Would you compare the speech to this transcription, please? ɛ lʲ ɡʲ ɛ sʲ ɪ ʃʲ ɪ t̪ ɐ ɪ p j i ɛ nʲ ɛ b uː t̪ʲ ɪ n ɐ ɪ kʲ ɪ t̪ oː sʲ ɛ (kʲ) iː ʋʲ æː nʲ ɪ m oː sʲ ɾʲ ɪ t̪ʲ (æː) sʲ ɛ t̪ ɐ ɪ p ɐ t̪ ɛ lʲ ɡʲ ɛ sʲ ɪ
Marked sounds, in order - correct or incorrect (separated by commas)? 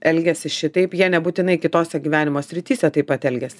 incorrect, incorrect